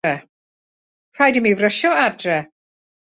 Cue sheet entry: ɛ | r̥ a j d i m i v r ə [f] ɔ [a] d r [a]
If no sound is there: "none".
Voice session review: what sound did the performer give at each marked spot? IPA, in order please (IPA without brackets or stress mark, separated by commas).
ʃ, a, ɛ